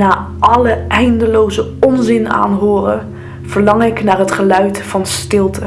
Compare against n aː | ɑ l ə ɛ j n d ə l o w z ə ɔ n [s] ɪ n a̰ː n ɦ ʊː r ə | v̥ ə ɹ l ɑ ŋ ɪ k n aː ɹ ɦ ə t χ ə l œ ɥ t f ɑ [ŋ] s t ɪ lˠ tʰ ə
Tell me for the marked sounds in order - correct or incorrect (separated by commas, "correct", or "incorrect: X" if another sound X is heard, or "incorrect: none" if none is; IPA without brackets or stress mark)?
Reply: incorrect: z, incorrect: n